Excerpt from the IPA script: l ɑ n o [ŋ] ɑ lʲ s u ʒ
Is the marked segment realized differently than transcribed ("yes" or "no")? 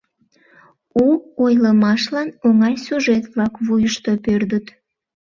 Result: no